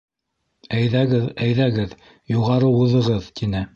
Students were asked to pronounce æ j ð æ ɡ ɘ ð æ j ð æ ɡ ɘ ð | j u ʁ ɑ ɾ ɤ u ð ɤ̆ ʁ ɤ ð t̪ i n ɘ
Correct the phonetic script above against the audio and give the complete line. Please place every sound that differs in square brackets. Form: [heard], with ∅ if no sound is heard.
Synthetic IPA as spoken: æ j ð æ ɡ ɘ ð æ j ð æ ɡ ɘ ð | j u ʁ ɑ ɾ ɤ u ð ɤ̆ ʁ ɤ ð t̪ i n ɘ